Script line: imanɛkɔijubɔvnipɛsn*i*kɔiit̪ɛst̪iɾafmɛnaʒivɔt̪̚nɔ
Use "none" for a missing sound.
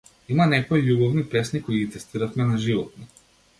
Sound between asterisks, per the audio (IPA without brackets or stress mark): i